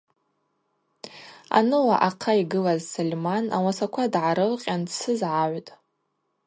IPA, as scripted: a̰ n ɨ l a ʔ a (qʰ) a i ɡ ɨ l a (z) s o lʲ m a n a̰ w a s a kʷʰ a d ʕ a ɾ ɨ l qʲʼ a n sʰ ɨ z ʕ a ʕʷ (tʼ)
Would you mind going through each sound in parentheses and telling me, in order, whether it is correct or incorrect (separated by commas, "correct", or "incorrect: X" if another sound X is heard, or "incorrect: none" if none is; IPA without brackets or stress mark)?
correct, correct, correct